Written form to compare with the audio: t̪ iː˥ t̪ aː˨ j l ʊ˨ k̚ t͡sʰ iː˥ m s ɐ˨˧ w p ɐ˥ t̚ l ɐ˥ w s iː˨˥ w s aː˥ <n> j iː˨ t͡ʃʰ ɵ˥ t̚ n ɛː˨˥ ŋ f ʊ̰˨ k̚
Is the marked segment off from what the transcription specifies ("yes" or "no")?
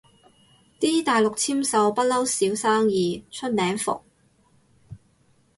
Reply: yes